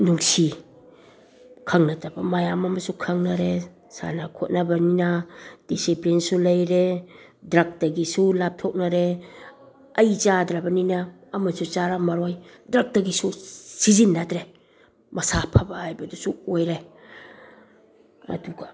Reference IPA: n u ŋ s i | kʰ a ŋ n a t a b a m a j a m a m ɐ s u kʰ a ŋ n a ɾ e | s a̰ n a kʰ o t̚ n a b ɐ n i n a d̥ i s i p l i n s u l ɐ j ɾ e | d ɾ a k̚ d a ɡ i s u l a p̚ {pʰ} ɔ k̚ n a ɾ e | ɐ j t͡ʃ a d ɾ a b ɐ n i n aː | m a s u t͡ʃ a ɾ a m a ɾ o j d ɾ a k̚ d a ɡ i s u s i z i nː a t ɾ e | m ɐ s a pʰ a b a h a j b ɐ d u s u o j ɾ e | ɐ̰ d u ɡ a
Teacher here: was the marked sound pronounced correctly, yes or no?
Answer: no